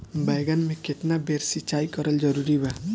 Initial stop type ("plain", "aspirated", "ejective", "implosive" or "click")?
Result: plain